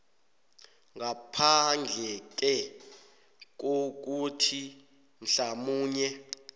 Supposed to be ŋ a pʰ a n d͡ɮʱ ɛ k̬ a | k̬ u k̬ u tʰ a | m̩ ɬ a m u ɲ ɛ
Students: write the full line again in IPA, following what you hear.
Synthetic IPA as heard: ŋ a pʰ a n d͡ɮʱ ɛ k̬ ɛ | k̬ o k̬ u tʰ i | m̩ ɬ a m uː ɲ ɛ

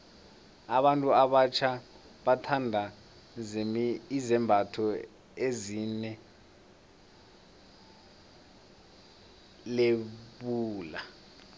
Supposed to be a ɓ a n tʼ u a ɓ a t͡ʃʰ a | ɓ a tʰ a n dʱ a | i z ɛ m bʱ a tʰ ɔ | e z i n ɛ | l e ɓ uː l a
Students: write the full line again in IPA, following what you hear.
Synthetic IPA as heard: a ɓ a n tʼ u a ɓ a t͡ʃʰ a | ɓ a tʰ a n dʱ a | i z ɛ m bʱ a tʰ ɔ | e z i n ɛ | l e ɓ uː l a

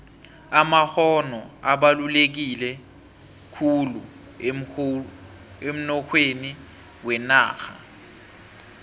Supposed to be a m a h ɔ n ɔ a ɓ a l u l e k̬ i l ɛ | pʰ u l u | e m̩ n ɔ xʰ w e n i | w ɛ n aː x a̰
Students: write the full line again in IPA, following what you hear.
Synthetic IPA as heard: a m a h ɔ n ɔ a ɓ a l u l e k̬ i l ɛ | kʰ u l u | e m̩ n ɔ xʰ w e n i | w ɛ n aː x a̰

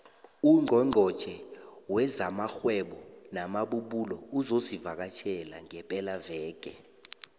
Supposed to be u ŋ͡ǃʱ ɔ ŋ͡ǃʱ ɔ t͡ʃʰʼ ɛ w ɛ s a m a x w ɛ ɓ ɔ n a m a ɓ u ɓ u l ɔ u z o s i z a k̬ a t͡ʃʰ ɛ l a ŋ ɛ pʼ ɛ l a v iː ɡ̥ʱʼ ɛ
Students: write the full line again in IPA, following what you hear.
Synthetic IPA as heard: u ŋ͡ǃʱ ɔ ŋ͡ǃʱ ɔ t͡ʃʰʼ ɛ w ɛ z a m a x w ɛ ɓ ɔ n a m a ɓ u ɓ u l ɔ u z o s i v a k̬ a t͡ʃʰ ɛ l a ŋ ɛ pʼ ɛ l a v ɛː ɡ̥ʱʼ ɛ

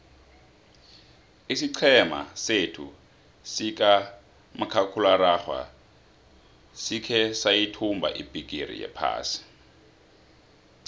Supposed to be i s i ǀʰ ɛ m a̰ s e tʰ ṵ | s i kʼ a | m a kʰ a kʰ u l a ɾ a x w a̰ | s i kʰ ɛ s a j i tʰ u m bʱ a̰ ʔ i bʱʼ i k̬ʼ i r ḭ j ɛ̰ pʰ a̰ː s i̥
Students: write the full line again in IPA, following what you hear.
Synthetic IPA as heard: i s i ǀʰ ɛ m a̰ s e tʰ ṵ | s i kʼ a | m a kʰ a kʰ u l a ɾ a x w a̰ | s i kʰ ɛ s a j i tʰ u m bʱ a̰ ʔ i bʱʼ i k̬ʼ i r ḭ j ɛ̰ pʰ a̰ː s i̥

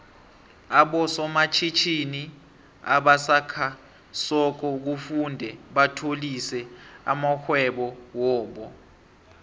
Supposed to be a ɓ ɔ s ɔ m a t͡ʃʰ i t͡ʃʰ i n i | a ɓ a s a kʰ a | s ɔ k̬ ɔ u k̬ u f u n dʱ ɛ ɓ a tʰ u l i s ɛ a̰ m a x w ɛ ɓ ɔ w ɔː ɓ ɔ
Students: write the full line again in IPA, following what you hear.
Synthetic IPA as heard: a ɓ ɔ s ɔ m a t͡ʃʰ i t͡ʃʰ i n i | a ɓ a s a kʰ a | s ɔ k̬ ɔ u k̬ u f u n dʱ ɛ ɓ a tʰ o l i s ɛ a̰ m a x w ɛ ɓ ɔ w ɔː ɓ ɔ

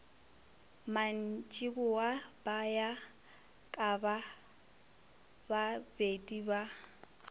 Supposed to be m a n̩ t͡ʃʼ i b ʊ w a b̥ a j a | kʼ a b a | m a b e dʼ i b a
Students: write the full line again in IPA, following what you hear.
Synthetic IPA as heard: m a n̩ t͡ʃʼ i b ʊ w a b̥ a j a | kʼ a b a | b a b e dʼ i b a

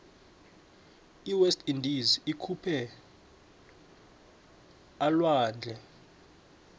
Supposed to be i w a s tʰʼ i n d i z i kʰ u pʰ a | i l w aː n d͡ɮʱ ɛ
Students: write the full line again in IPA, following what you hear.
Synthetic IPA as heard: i w ɛ s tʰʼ i n d i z i kʰ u pʰ ɛ | a l w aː n d͡ɮʱ ɛ

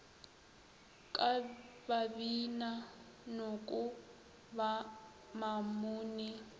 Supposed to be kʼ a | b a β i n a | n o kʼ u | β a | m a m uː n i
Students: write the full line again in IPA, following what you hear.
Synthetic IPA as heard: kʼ a | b a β i n a | n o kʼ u | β a | m a m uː n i

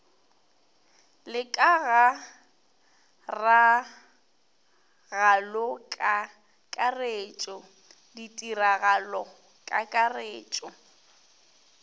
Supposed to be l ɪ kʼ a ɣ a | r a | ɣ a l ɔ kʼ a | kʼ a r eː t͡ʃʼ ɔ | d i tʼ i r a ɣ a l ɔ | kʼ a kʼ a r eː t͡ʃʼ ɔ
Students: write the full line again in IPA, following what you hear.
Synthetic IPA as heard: l ɪ kʼ a ɣ a | r a | ɣ a l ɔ kʼ a | kʼ a r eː t͡ʃʼ ɔ | d i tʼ i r a ɣ a l ɔ | kʼ a kʼ a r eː t͡ʃʼ ɔ

